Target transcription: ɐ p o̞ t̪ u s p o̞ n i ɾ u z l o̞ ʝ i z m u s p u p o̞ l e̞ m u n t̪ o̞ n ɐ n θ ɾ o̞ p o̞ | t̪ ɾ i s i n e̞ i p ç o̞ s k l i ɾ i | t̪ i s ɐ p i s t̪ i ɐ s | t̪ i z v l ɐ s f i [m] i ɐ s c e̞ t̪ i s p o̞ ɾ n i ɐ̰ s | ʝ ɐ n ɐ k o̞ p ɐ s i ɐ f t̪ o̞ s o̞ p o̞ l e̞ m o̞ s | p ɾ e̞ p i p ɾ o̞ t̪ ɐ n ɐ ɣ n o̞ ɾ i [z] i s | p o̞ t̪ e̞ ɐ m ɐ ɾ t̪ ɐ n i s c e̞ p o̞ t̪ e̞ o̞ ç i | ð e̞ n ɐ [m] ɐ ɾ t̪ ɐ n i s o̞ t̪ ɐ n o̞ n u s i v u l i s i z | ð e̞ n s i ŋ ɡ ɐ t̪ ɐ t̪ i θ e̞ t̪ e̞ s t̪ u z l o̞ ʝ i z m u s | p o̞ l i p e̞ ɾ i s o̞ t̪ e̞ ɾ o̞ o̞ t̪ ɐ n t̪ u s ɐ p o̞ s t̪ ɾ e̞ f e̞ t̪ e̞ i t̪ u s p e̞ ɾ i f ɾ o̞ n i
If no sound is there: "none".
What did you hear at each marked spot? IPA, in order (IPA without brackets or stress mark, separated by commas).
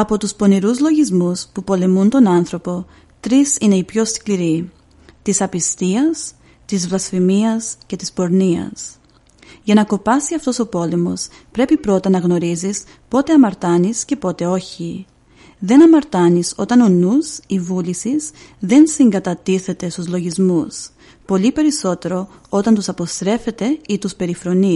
m, z, m